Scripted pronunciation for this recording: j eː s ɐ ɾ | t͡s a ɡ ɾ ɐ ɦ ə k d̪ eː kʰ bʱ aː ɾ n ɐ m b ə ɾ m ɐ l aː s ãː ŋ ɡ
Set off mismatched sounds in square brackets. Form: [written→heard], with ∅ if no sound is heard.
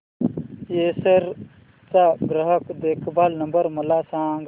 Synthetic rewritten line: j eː s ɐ ɾ | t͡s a ɡ ɾ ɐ ɦ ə k d̪ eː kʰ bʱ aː [ɾ→l] n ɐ m b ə ɾ m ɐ l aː s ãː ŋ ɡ